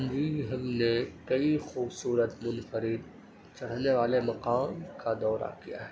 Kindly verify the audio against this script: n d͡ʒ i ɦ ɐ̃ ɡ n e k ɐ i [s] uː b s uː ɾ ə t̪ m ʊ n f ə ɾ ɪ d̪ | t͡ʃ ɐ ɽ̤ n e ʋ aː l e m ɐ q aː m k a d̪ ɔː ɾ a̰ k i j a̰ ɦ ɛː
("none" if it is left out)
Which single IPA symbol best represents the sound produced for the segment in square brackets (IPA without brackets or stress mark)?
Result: x